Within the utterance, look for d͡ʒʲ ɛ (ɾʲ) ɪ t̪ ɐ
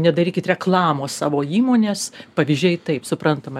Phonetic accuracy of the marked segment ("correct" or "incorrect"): incorrect